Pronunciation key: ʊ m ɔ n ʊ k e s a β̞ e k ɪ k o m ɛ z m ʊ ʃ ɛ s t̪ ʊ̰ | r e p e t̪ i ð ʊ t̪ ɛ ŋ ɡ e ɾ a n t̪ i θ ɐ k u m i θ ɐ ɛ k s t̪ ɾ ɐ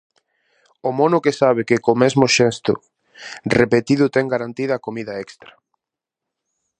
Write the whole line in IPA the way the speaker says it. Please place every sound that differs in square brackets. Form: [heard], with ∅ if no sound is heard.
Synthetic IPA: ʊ m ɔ n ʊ k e s a β̞ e k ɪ k o m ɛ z m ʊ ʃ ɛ s t̪ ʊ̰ | r e p e t̪ i ð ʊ t̪ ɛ ŋ ɡ [a] ɾ a n t̪ i [ð] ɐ k [o] m i [ð] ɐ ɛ k s t̪ ɾ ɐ

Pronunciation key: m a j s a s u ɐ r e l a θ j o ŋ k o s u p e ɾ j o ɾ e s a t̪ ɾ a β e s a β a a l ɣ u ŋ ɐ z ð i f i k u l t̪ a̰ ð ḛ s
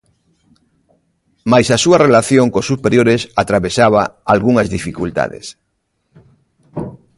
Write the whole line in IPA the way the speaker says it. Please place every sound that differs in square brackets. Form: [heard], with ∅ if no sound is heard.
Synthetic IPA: m a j s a s u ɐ r e l a θ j o ŋ k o s u p e ɾ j o ɾ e s a t̪ ɾ a β e s a β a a l ɣ u ŋ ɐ z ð i f i k u l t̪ a̰ ð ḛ s

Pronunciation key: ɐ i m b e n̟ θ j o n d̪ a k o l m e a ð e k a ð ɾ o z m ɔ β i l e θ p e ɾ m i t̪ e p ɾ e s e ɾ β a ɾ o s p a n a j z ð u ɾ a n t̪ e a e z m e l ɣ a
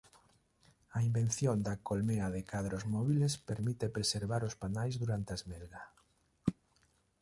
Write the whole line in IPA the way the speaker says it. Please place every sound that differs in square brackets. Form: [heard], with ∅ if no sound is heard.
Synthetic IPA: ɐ i m b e n̟ θ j o n d̪ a k o l m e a ð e k a ð ɾ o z m ɔ β i l e [s] p e ɾ m i t̪ e p ɾ e s e ɾ β a ɾ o s p a n a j z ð u ɾ a n t̪ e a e z m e l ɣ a

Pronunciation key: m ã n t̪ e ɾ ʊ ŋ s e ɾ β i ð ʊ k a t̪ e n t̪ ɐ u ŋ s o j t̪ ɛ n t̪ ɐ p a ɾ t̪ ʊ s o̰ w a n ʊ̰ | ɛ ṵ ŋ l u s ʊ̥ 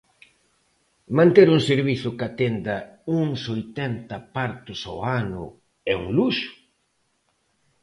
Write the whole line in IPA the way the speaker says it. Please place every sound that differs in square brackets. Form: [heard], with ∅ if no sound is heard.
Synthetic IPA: m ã n t̪ e ɾ [u] ŋ s e ɾ β i [θ] ʊ k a t̪ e n [d̪] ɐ u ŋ s o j t̪ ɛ n t̪ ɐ p a ɾ t̪ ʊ s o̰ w a n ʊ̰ | ɛ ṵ ŋ l u [ʃ] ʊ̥

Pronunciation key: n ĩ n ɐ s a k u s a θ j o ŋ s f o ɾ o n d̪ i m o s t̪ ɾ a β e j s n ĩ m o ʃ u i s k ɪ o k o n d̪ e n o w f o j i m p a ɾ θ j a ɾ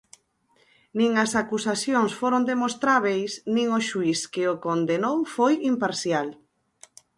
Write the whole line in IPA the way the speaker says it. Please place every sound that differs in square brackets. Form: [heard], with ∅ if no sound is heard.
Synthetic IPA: n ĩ [ŋ] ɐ s a k u s a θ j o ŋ s f o ɾ o n d̪ [e] m o s t̪ ɾ a β e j s n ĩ [ŋ] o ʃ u i s k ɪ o k o n d̪ e n o w f o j i m p a ɾ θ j a [l]

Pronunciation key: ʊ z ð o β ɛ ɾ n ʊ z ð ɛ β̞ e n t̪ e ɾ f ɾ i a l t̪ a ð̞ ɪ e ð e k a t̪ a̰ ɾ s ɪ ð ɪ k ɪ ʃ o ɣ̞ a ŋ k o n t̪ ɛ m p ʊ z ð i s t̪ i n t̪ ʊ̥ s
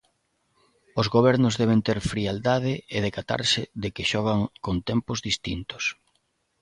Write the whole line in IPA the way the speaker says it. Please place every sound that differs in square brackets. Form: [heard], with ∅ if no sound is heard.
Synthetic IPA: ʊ z [ɣ] o β ɛ ɾ n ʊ z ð ɛ β̞ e n t̪ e ɾ f ɾ i a l [d̪] a ð̞ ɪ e ð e k a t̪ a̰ ɾ s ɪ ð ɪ k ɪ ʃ [ɔ] ɣ̞ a ŋ k o n t̪ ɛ m p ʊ z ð i s t̪ i n t̪ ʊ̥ s

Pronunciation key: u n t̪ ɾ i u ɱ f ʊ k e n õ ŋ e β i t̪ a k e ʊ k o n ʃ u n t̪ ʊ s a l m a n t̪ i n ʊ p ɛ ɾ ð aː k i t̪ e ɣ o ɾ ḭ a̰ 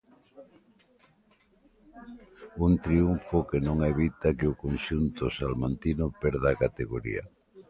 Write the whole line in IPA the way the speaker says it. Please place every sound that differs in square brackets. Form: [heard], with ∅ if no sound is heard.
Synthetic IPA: u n t̪ ɾ i u ɱ f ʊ k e n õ ŋ e β i t̪ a k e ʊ k o n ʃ u n t̪ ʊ s a l m a n t̪ i n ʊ p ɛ ɾ ð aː k [a] t̪ e ɣ o ɾ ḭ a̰

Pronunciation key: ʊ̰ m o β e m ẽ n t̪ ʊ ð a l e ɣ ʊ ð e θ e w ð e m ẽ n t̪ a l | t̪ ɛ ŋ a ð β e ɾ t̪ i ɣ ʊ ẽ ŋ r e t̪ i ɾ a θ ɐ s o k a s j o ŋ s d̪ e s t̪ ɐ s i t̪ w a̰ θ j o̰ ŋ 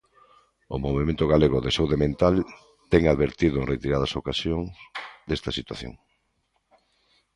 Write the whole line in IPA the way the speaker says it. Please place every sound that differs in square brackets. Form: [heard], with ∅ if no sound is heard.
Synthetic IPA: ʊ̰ m o β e m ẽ n t̪ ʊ [ɣ] a l e ɣ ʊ ð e [s] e w ð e m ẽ n t̪ a l | t̪ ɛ ŋ a ð β e ɾ t̪ i [ð] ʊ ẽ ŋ r e t̪ i ɾ a [ð] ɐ s o k a s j o ŋ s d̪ e s t̪ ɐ s i t̪ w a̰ θ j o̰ ŋ

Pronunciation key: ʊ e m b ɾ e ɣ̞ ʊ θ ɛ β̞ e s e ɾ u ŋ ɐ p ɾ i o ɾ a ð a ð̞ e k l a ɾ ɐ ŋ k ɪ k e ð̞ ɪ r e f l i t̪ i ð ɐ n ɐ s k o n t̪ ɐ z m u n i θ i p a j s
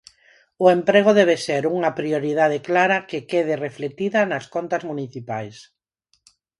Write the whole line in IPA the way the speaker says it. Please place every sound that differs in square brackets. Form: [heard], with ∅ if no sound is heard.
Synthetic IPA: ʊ e m [p] ɾ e ɣ̞ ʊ [ð] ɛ β̞ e s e ɾ u ŋ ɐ p ɾ i o ɾ [i] ð a ð̞ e k l a ɾ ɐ [∅] k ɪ k e ð̞ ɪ r e f l [e] t̪ i ð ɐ n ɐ s k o n t̪ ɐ z m u n i θ i p a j s

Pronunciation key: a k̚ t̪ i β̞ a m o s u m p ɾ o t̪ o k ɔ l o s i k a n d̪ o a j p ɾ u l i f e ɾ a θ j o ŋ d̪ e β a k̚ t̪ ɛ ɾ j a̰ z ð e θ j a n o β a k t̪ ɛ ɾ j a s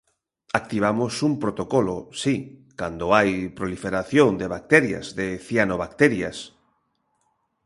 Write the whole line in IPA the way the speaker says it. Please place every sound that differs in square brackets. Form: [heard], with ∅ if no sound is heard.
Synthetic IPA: a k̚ t̪ i β̞ a m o s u m p ɾ o t̪ o k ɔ l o s i k a n d̪ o a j p ɾ [o] l i f e ɾ a θ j o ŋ d̪ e β a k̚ t̪ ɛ ɾ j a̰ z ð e θ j a n o β a k t̪ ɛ ɾ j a s

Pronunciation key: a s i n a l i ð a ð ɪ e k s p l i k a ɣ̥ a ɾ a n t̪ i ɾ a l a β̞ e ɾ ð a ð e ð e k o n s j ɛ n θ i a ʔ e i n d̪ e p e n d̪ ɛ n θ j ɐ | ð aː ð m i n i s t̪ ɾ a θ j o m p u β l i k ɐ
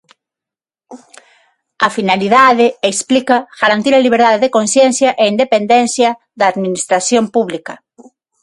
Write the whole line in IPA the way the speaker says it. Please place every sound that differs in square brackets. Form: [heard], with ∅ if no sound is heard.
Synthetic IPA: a [f] i n a l i ð a ð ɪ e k s p l i k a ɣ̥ a ɾ a n t̪ i ɾ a l [i] β̞ e ɾ ð a ð e ð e k o n s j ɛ n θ [j] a ʔ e i n d̪ e p e n d̪ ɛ n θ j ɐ | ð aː ð m i n i s t̪ ɾ a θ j o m p u β l i k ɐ

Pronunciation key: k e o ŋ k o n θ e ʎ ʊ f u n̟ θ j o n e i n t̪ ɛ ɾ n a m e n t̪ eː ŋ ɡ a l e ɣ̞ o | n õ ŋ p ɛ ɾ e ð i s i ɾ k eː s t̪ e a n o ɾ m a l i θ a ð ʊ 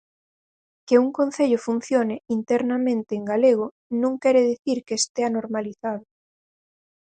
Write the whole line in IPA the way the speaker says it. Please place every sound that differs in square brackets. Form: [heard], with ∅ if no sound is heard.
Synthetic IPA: k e [u] ŋ k o n θ e ʎ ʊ f u n̟ θ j o n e i n t̪ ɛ ɾ n a m [ẽ] n t̪ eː ŋ ɡ a l e ɣ̞ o | n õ ŋ [k] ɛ ɾ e ð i [θ] i ɾ k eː s t̪ e a n o ɾ m a l i θ a ð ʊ

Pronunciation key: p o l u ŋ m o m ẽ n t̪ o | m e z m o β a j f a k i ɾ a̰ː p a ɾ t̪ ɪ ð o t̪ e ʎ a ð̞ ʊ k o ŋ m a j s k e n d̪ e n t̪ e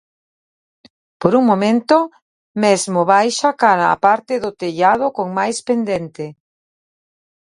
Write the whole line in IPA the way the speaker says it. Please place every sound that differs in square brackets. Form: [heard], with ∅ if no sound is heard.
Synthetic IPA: p o [ɾ] u ŋ m o m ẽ n t̪ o | m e z m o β a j [ʃ] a k [a] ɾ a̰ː p a ɾ t̪ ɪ ð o t̪ e ʎ a ð̞ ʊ k o ŋ m a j s [p] e n d̪ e n t̪ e

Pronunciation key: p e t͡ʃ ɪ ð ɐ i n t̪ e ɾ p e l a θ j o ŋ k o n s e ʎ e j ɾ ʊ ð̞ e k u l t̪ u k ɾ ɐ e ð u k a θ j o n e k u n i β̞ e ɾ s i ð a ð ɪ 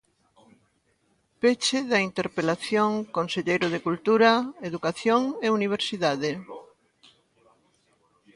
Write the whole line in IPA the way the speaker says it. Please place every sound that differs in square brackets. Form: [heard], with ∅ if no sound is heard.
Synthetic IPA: p e t͡ʃ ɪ ð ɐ i n t̪ e ɾ p e l a θ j o ŋ k o n s e ʎ e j ɾ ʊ ð̞ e k u l t̪ u [∅] ɾ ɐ e ð u k a θ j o [ŋ] e [∅] u n i β̞ e ɾ s i ð a ð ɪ

